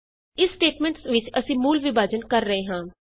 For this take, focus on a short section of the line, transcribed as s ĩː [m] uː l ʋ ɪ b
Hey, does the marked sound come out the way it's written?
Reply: yes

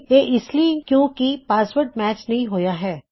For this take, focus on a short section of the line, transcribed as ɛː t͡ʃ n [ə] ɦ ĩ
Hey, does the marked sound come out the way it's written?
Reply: no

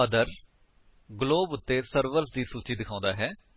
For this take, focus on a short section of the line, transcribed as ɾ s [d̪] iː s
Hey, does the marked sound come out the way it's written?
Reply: yes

